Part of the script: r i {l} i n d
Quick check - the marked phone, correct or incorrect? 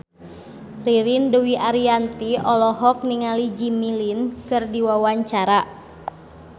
incorrect